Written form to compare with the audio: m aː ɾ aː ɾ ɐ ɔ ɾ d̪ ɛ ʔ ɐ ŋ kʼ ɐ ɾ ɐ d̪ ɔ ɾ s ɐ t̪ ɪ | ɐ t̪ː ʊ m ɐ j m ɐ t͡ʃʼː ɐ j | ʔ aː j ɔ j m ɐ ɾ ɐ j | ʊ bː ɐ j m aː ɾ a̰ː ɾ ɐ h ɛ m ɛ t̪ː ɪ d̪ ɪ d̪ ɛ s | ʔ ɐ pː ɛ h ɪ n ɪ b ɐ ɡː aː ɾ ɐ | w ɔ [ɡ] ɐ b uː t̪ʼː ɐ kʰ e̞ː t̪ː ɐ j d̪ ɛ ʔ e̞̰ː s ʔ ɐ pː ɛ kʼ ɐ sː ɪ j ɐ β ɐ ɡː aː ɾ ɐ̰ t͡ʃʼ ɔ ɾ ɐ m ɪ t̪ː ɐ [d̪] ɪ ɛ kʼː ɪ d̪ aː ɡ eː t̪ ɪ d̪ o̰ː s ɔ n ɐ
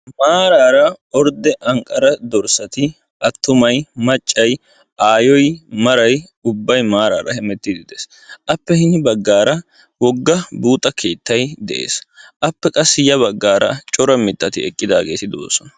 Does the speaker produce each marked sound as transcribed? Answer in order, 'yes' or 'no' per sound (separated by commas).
no, no